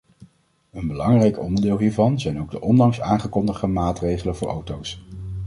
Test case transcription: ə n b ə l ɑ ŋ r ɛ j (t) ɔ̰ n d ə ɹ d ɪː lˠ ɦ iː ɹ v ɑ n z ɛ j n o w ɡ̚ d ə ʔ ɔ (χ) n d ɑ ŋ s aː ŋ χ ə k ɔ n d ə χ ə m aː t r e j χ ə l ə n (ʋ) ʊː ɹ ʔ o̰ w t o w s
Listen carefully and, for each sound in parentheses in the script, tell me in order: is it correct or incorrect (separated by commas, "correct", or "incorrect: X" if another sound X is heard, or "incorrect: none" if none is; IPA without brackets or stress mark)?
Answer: incorrect: k, incorrect: none, incorrect: v